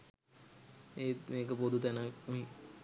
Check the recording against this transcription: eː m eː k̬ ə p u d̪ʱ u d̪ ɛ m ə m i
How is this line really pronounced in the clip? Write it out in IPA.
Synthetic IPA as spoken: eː m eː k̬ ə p o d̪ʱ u t̪ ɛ n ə m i

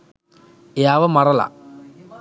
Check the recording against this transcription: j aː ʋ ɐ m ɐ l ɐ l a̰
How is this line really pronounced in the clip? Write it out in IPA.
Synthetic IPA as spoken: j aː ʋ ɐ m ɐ r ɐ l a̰

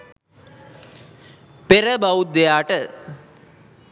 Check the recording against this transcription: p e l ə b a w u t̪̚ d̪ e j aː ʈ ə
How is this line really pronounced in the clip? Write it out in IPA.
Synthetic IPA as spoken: p e ɾ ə b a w u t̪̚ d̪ e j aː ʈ ə

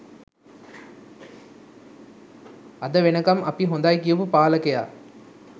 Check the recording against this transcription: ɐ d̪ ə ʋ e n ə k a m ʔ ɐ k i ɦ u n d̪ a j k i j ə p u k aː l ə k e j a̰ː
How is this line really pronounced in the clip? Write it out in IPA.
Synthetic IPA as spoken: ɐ d̪ ə ʋ e n ə k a m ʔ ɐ p i ɦ o n d̪ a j k i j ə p u p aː l ə k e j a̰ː

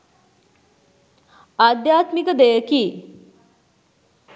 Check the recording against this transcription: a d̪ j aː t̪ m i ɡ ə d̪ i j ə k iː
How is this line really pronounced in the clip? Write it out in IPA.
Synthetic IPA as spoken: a d̪ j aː t̪ m i k ə d̪ e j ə k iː

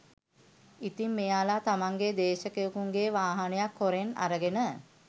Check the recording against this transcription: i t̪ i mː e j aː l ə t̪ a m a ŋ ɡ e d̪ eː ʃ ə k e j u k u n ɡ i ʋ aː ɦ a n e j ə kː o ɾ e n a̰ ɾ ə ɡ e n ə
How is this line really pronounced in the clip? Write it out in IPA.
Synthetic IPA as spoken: i t̪ i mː e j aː l a t̪ a m a ŋ ɡ e d̪ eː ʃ ə k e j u k u ŋ ɡ e ʋ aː ɦ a n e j a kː o ɾ e n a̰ ɾ ə ɡ e n ə

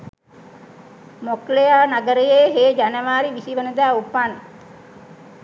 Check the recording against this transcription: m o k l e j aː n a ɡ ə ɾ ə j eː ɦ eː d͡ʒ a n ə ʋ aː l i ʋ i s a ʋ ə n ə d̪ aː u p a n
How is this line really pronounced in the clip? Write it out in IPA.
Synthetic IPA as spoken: m o k l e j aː n a ɡ ə ɾ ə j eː ɦ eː d͡ʒ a n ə ʋ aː ɾ i ʋ i s i ʋ ə n ə d̪ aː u p a n

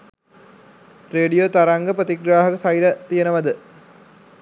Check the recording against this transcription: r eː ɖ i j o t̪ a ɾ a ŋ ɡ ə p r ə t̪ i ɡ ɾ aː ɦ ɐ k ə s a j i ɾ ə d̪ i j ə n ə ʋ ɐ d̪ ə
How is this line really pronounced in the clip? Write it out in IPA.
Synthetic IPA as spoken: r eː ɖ i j o t̪ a ɾ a ŋ ɡ ə p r ə t̪ i ɡ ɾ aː ɦ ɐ k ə s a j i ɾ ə t̪ i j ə n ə ʋ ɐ d̪ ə

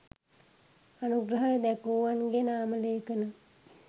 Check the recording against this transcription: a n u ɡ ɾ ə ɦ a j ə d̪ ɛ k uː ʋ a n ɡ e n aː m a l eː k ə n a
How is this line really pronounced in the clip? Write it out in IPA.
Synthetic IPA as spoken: a n u ɡ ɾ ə ɦ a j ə d̪ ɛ k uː ʋ a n ɡ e n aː m ə l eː k ə n ə

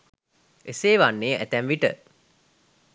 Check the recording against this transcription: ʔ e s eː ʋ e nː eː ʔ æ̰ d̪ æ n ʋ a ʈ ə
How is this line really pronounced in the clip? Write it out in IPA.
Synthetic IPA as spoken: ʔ e s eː ʋ a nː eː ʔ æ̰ t̪ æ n ʋ i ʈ ə

